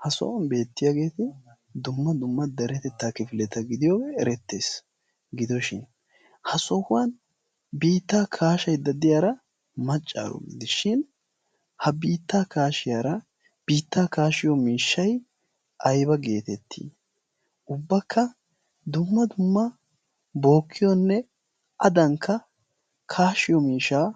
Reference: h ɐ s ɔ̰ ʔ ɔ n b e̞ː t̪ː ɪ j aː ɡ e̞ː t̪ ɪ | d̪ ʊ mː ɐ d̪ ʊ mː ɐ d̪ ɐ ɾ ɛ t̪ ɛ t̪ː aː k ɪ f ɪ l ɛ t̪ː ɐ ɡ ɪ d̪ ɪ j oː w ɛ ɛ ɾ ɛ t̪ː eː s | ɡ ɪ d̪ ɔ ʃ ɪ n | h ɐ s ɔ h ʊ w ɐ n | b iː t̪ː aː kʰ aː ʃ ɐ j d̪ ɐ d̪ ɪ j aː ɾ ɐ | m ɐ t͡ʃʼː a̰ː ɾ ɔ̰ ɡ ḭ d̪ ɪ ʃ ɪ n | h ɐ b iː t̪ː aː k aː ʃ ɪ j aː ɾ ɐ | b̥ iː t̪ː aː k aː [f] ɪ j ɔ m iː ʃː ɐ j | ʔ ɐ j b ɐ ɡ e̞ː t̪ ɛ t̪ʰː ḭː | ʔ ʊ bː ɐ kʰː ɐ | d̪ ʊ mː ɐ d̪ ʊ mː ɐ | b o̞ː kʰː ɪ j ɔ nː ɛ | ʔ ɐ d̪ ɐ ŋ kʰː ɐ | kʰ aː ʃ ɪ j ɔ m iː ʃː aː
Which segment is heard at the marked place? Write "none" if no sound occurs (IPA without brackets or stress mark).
ʃ